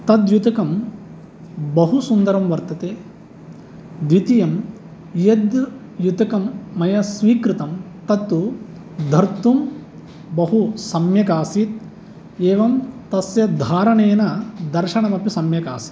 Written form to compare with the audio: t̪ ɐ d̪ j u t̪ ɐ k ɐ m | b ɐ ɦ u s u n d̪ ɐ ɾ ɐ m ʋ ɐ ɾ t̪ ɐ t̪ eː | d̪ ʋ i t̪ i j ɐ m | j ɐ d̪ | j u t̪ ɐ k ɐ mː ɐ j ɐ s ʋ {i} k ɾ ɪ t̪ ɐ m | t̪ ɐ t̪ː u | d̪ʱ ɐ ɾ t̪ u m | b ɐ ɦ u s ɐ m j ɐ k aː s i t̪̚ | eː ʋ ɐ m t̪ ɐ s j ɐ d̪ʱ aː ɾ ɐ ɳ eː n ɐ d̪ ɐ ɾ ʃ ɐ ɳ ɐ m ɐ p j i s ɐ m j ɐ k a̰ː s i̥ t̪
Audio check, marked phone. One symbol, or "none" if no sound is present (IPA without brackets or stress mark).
iː